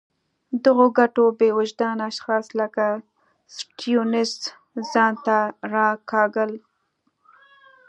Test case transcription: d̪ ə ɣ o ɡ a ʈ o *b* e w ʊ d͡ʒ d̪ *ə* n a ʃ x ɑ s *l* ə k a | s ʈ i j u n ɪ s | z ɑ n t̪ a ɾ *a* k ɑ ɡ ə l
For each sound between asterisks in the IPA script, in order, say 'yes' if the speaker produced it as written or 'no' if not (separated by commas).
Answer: yes, no, yes, no